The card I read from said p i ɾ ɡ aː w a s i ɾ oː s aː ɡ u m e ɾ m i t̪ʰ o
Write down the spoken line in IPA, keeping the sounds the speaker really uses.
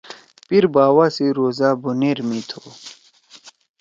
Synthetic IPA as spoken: p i ɾ b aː w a s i ɾ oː z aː b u n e ɾ m i t̪ʰ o